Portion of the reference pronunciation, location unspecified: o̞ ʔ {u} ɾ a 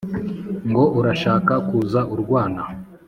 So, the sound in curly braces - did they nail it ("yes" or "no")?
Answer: yes